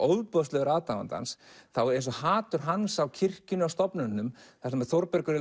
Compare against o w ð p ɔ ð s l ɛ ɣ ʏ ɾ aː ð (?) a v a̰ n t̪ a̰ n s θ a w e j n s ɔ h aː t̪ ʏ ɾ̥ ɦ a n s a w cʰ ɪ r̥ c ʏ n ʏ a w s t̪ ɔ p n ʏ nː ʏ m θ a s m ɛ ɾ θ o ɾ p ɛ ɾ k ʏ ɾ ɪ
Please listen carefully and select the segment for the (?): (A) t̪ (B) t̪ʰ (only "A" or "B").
A